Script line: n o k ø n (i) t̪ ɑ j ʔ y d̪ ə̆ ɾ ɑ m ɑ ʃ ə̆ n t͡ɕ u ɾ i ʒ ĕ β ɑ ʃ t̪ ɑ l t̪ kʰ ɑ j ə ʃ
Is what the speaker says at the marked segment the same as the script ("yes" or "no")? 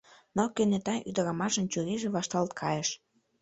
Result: no